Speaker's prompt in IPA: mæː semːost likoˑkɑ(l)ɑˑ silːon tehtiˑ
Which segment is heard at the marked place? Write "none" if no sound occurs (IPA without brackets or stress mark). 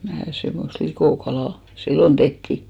l